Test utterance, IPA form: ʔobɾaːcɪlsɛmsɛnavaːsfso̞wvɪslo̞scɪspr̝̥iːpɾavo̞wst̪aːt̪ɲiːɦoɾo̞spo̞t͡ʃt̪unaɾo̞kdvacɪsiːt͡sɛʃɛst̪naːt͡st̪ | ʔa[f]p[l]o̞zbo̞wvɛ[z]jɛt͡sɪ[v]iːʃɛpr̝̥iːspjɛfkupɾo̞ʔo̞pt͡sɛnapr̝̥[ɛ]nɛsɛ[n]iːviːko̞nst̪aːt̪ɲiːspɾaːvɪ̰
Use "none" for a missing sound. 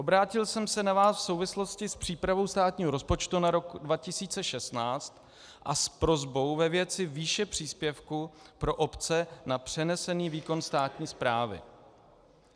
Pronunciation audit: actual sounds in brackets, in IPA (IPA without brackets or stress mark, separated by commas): s, ɾ, v, v, ɛ, n